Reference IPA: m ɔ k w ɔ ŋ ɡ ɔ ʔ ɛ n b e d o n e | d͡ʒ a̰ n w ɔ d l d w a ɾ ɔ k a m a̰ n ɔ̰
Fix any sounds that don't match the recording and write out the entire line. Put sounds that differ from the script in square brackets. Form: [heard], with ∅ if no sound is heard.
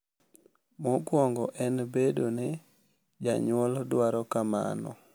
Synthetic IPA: m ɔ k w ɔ ŋ ɡ ɔ ʔ ɛ n b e d o n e | d͡ʒ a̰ [ɲ] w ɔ [∅] l d w a ɾ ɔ k a m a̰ n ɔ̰